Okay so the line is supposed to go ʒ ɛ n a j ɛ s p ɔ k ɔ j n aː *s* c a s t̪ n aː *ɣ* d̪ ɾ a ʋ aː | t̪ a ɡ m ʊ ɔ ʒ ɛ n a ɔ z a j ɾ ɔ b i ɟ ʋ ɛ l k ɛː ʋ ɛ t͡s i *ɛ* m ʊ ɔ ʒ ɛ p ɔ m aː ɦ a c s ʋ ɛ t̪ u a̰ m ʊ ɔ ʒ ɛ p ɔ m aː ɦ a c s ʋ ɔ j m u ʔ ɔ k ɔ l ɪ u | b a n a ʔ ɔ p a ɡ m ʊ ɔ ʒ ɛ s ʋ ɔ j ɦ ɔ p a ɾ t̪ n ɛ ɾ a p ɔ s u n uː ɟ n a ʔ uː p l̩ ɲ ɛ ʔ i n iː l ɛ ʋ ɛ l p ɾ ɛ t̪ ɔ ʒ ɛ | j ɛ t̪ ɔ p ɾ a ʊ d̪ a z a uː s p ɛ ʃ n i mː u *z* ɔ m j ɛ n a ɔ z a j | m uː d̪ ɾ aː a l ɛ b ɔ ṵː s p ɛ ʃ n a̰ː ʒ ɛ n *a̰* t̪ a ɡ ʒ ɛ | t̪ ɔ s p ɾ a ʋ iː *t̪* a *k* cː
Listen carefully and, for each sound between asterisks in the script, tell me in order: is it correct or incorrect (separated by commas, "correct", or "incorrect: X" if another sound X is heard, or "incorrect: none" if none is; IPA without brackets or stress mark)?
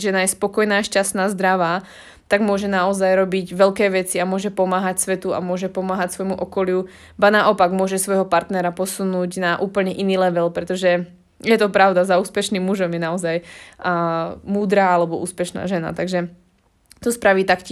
incorrect: ʃ, incorrect: z, incorrect: a, incorrect: ʒ, correct, correct, correct